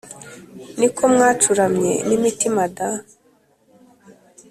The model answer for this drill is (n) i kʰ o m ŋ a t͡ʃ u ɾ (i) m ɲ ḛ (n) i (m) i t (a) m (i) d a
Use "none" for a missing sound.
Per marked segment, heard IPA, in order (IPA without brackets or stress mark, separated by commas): n, a, n, m, i, a